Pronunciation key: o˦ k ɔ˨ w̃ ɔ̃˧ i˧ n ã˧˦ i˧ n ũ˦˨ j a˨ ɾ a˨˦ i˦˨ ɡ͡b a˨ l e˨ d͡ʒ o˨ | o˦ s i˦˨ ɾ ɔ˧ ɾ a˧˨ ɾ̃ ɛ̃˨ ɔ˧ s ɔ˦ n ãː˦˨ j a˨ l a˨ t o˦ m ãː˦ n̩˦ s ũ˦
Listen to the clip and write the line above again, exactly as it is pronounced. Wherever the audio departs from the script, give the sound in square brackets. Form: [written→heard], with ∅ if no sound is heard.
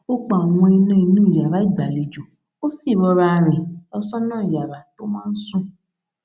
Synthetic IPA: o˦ [k→k͡p] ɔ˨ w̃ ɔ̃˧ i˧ n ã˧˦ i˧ n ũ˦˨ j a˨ ɾ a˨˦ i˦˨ ɡ͡b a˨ l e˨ d͡ʒ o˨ | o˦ s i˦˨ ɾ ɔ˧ ɾ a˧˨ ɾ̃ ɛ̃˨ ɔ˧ s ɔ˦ n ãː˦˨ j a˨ [l→ɾ] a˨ t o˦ m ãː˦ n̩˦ s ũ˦

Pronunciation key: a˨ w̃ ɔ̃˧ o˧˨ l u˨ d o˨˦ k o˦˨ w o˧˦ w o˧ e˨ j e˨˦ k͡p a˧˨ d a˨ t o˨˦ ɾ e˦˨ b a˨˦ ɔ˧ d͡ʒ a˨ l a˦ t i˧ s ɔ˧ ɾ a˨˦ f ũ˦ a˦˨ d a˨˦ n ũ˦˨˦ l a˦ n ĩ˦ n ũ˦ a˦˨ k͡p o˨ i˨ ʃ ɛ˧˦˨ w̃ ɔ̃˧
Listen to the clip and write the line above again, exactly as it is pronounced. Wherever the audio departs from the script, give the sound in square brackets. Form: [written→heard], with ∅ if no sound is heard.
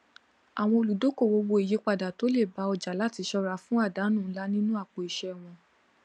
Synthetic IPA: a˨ w̃ ɔ̃˧ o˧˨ l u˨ d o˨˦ k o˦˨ w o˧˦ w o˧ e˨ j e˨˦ k͡p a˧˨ d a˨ t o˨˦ [ɾ→l] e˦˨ b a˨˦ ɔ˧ d͡ʒ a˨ l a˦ t i˧ [s→ʃ] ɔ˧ ɾ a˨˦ f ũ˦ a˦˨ d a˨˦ n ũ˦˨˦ l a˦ n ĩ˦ n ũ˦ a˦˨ k͡p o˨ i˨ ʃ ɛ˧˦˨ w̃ ɔ̃˧

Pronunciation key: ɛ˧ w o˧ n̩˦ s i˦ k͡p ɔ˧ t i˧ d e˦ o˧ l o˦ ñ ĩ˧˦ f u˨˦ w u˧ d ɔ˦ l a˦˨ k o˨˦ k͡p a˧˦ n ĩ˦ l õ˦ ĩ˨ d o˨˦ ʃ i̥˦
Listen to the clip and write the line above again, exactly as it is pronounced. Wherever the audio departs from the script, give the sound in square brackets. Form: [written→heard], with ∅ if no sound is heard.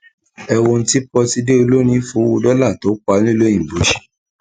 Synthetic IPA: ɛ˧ w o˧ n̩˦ [s→t] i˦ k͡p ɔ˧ t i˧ d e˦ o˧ l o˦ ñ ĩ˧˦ f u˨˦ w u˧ d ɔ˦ l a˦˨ [k→t] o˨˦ k͡p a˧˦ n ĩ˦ l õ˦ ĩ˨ [d→b] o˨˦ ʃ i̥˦

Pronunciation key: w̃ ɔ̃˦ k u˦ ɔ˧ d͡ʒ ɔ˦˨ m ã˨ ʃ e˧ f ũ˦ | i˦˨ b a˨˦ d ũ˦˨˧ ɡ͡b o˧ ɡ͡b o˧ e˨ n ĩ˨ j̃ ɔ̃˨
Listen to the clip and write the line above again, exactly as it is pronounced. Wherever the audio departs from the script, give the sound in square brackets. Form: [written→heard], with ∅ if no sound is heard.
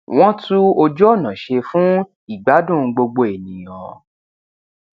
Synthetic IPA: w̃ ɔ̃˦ [k→t] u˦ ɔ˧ d͡ʒ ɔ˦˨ [m→n] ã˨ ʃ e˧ f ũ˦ | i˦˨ [b→ɡ͡b] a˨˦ d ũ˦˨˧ ɡ͡b o˧ ɡ͡b o˧ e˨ n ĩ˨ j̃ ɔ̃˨

